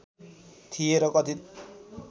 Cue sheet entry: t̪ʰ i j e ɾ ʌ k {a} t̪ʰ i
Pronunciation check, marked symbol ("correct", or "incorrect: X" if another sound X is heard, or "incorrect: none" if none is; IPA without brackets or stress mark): incorrect: ʌ